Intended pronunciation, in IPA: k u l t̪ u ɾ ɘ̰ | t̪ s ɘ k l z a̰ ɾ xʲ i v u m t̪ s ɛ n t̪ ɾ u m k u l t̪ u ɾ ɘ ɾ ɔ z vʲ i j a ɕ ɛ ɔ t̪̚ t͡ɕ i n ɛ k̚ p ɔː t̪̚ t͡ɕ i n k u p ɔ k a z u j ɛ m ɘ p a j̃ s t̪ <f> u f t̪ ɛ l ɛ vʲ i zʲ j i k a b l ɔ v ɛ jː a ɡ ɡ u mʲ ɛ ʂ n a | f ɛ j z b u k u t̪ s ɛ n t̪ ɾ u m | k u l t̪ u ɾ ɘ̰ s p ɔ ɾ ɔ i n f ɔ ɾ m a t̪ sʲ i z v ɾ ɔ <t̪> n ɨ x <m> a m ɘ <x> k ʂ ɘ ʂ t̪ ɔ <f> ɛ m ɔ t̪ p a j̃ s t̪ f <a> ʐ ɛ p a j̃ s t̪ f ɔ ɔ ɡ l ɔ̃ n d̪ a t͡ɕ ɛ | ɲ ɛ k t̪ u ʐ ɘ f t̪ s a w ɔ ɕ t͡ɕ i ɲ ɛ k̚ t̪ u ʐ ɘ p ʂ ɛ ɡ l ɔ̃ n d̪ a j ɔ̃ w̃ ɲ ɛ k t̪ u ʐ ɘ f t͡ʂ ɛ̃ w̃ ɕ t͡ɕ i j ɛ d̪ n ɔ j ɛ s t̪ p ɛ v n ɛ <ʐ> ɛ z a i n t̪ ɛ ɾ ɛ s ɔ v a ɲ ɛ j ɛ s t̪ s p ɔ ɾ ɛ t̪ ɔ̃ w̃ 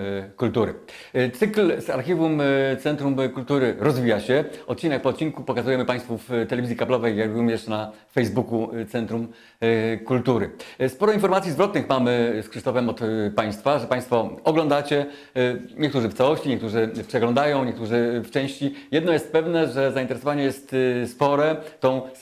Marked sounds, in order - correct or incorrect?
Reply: correct, correct, correct, incorrect: s, correct, correct, correct

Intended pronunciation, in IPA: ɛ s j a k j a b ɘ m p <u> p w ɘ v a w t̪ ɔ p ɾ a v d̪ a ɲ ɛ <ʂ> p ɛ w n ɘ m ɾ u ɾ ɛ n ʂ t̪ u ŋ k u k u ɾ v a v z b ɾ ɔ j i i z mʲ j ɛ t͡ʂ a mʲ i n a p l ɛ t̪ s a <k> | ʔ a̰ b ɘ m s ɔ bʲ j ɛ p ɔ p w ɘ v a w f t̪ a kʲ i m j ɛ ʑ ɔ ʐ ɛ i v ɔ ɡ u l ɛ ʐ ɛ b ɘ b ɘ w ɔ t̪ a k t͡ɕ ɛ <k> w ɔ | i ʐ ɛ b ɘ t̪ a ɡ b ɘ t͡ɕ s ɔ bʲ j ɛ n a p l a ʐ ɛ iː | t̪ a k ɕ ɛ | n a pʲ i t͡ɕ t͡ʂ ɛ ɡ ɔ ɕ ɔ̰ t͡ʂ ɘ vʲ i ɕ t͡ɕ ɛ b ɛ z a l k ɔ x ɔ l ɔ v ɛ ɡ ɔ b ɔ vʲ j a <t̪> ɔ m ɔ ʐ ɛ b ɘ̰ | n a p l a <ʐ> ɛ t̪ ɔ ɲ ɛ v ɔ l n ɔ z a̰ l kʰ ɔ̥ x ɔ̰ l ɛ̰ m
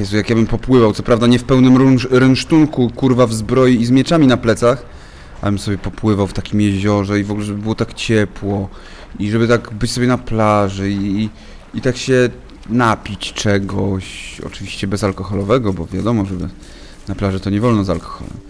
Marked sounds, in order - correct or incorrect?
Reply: incorrect: ɔ, incorrect: f, incorrect: x, incorrect: p, incorrect: d̪, correct

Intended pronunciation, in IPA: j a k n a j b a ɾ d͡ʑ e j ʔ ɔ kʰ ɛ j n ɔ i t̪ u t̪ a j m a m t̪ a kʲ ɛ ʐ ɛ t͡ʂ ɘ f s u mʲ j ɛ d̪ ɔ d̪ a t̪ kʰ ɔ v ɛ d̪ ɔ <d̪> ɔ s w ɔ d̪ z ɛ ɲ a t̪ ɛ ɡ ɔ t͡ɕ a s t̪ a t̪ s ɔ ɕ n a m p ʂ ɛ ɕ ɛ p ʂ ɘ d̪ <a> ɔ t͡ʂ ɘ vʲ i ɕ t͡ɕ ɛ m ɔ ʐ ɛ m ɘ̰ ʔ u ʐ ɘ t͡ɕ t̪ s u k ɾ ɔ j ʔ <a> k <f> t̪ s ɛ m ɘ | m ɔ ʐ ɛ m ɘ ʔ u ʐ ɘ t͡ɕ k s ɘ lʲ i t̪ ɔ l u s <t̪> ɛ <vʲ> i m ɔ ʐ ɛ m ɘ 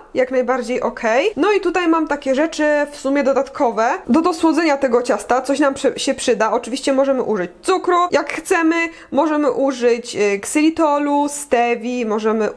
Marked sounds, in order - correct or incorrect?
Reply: correct, correct, correct, incorrect: x, correct, correct

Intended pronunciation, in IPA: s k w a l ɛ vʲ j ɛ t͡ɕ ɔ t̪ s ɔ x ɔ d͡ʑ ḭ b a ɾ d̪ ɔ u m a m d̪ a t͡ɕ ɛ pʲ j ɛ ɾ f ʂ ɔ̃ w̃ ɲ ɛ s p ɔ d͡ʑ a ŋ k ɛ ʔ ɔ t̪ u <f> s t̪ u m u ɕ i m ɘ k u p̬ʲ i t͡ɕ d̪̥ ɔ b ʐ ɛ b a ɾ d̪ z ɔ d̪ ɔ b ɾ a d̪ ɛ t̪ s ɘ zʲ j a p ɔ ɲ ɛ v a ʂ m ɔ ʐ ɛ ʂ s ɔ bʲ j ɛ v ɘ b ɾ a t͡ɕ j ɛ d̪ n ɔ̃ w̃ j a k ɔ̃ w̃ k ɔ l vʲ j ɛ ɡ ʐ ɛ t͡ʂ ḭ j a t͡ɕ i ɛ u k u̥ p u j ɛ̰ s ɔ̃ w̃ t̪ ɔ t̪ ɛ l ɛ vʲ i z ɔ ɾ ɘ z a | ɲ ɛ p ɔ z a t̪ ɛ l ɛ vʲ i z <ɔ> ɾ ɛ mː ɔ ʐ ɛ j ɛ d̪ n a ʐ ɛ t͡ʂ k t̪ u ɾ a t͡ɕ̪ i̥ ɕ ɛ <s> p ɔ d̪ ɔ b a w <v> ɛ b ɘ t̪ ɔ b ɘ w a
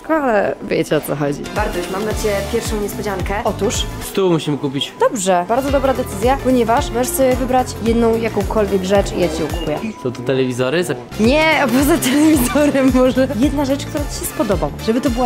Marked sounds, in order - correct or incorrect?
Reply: incorrect: ʂ, correct, correct, incorrect: ʐ

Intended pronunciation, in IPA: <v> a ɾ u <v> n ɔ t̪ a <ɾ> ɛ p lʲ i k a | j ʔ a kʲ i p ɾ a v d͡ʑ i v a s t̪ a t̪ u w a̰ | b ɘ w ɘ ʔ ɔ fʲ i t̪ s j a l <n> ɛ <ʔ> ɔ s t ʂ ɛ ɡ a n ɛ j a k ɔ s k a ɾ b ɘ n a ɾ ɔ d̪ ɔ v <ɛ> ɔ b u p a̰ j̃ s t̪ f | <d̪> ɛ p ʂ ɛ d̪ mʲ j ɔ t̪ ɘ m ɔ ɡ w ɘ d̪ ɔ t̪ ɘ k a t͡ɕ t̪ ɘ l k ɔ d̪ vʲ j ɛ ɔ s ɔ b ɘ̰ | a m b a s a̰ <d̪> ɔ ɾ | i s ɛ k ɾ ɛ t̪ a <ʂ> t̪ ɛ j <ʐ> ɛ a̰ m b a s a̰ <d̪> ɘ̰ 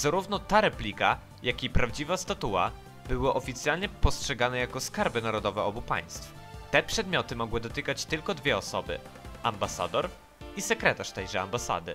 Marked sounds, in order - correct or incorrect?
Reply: incorrect: z, correct, correct, incorrect: ɲ, incorrect: p, correct, incorrect: t̪, correct, correct, correct, correct

